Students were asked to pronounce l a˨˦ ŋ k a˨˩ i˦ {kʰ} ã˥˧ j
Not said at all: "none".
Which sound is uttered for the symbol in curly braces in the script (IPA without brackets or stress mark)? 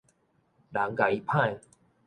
pʰ